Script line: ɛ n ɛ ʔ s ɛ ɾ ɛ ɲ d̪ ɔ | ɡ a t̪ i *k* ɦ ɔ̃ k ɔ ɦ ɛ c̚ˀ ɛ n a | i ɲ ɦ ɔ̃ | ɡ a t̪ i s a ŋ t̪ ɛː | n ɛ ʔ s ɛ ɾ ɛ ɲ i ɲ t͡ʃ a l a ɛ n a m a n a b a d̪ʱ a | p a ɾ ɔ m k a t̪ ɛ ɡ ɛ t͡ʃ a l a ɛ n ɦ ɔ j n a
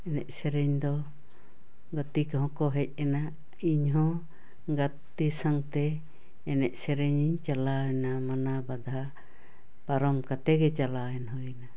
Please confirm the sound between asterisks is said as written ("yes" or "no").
yes